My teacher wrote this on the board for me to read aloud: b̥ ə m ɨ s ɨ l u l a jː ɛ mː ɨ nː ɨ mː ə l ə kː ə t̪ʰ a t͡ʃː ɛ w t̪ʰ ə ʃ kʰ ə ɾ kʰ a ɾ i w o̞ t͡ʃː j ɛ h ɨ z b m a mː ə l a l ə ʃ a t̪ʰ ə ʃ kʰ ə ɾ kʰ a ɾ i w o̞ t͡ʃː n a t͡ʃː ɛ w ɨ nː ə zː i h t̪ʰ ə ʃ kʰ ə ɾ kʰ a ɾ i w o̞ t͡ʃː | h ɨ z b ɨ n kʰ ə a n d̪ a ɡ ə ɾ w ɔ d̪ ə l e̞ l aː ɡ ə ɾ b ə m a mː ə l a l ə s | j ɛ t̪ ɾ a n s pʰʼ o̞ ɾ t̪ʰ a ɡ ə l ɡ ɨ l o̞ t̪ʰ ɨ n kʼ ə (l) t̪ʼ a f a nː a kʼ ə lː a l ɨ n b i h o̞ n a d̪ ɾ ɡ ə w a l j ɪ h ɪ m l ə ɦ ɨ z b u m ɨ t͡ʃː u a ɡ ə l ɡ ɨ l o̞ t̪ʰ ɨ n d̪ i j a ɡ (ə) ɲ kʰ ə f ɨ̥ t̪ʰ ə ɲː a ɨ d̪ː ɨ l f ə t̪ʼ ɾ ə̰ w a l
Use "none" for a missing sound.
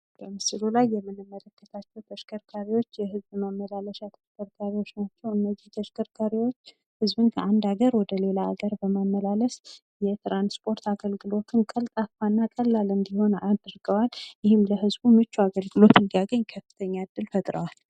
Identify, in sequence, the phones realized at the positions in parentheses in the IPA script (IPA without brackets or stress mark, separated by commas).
l, ə